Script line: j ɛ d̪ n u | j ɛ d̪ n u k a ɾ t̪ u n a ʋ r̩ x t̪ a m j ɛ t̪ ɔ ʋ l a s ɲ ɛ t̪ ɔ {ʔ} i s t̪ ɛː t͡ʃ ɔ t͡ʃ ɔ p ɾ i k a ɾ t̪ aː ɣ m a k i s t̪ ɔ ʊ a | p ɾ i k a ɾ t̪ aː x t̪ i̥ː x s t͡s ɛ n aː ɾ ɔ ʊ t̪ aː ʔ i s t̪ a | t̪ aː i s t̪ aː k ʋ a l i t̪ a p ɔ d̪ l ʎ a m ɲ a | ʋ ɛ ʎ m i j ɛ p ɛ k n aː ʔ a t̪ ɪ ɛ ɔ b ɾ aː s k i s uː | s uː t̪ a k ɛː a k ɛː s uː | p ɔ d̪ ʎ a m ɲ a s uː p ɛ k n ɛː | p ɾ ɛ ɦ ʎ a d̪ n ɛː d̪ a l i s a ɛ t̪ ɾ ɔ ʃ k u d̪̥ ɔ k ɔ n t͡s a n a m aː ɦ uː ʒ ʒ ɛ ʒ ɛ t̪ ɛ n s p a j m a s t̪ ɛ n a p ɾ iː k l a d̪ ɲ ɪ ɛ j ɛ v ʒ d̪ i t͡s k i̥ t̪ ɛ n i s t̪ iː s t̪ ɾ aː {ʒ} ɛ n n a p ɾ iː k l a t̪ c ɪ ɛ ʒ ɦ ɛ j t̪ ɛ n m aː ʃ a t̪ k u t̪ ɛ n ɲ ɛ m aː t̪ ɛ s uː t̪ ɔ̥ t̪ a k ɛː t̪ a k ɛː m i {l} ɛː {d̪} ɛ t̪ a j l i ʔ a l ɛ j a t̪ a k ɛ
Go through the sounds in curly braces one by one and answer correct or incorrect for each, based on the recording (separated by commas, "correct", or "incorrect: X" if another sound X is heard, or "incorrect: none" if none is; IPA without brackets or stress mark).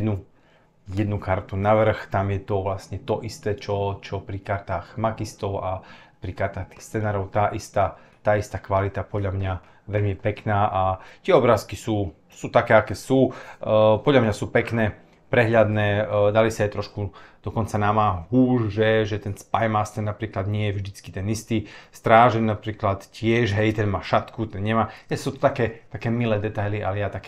correct, correct, correct, correct